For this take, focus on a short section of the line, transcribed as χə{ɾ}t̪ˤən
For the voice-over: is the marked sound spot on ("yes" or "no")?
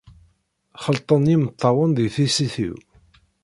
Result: no